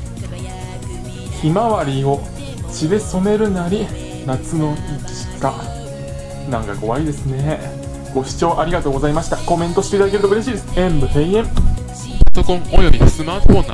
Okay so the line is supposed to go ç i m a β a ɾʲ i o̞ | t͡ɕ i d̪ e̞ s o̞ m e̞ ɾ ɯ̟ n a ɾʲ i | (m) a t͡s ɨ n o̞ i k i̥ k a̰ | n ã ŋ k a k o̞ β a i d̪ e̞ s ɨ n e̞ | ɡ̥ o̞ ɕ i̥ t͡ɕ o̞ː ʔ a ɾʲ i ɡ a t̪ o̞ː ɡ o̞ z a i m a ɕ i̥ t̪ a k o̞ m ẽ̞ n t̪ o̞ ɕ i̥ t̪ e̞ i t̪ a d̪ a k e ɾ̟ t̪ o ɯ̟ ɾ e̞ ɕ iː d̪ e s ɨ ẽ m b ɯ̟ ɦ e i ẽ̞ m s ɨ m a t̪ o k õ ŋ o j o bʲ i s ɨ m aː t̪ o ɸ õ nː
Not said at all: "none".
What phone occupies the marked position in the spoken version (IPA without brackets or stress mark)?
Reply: n